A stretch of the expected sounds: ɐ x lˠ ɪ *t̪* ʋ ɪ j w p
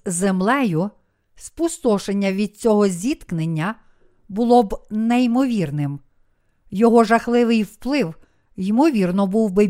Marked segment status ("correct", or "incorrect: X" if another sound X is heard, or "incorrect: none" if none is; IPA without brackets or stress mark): incorrect: none